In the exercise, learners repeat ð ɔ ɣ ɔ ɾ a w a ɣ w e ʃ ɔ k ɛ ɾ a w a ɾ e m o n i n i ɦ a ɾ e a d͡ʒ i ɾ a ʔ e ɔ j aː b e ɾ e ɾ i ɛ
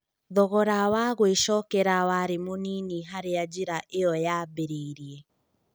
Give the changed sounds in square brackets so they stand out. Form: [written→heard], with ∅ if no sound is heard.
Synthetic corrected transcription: ð ɔ ɣ ɔ ɾ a w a ɣ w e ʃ ɔ k ɛ ɾ a w a ɾ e m o n i n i ɦ a ɾ e a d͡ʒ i ɾ a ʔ e ɔ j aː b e ɾ e ɾ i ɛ